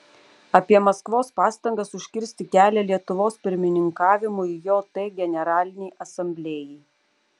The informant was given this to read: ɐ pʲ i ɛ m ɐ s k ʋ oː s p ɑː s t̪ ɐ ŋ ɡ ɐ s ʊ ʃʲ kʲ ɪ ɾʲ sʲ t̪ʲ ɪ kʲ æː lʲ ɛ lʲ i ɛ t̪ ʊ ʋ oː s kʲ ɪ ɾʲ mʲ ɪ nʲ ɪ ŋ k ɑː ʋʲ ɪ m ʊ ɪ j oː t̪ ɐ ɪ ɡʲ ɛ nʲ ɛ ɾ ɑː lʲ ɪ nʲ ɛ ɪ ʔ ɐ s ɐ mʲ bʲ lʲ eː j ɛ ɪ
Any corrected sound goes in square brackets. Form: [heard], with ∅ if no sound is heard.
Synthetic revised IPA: ɐ pʲ i ɛ m ɐ s k ʋ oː s p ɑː s t̪ ɐ ŋ ɡ ɐ s ʊ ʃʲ kʲ ɪ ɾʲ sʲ t̪ʲ ɪ kʲ æː lʲ ɛ lʲ i ɛ t̪ ʊ ʋ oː s [pʲ] ɪ ɾʲ mʲ ɪ nʲ ɪ ŋ k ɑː ʋʲ ɪ m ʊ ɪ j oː t̪ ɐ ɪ ɡʲ ɛ nʲ ɛ ɾ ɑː lʲ ɪ nʲ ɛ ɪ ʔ ɐ s ɐ mʲ bʲ lʲ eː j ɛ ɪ